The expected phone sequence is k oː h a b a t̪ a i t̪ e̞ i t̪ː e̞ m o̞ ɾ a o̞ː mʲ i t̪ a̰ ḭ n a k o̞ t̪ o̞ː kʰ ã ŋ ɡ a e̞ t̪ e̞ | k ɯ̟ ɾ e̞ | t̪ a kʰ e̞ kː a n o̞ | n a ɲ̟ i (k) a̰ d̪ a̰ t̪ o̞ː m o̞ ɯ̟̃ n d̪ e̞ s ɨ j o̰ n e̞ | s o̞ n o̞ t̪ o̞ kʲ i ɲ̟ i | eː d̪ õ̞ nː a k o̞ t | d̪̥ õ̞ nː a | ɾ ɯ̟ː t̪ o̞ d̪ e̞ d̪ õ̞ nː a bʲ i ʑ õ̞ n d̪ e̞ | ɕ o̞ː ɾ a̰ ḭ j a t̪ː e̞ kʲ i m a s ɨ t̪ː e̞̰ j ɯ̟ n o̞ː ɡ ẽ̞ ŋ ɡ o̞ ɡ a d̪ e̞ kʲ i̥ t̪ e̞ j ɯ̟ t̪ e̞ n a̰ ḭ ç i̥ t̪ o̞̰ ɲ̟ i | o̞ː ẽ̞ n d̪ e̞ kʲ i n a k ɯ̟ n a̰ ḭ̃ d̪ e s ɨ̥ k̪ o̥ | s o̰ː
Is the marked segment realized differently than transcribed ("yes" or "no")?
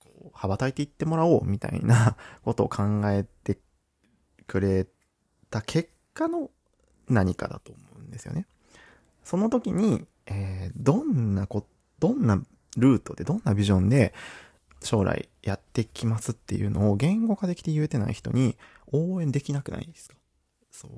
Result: no